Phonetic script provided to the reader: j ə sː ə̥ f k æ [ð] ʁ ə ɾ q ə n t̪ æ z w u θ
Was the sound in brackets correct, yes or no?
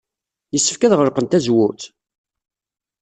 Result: yes